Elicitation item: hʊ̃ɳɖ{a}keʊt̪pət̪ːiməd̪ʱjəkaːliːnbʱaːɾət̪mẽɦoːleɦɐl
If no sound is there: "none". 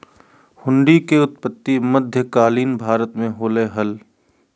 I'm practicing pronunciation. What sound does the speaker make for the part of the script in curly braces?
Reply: i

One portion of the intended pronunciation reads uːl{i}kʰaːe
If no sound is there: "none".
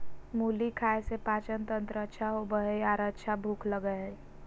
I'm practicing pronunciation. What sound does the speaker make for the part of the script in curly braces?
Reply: i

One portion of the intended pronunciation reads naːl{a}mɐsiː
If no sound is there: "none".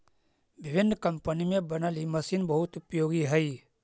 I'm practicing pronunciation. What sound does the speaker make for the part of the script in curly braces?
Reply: i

